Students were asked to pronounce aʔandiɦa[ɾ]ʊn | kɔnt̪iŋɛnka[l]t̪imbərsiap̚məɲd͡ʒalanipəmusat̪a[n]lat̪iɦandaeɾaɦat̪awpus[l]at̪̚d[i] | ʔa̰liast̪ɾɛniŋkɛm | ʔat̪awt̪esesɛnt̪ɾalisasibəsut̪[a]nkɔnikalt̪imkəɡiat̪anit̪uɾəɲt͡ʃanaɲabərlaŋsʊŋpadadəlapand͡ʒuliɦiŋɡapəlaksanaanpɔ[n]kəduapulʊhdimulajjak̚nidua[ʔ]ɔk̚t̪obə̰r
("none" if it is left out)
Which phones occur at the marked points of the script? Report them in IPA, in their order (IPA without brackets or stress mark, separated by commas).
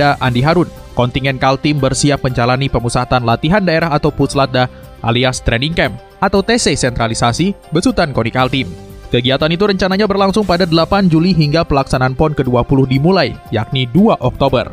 ɾ, l, n, l, a, a, n, ʔ